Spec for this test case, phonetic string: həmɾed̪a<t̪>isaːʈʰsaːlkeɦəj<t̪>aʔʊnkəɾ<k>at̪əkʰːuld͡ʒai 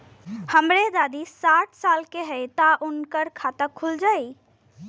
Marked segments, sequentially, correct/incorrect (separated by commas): incorrect, correct, incorrect